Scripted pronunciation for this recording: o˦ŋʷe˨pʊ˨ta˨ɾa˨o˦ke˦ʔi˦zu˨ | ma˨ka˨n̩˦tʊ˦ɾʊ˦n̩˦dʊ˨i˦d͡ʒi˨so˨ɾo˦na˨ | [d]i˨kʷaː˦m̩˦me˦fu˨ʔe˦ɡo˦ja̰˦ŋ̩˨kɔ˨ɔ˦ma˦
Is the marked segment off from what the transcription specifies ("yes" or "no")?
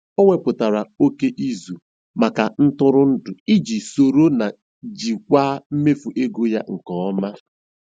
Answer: yes